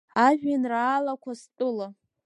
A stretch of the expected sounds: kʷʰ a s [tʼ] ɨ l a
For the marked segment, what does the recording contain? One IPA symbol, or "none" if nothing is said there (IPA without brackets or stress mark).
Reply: tʼ